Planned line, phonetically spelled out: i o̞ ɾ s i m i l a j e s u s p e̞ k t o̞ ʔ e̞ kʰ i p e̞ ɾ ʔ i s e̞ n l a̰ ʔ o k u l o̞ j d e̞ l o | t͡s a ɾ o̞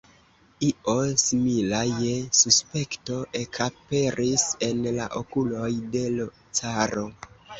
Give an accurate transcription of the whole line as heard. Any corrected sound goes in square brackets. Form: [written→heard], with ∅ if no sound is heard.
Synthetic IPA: i o̞ [ɾ→∅] s i m i l a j e s u s p e̞ k t o̞ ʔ e̞ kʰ [i→a] p e̞ ɾ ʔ i s e̞ n l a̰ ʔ o k u l o̞ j d e̞ l o | t͡s a ɾ o̞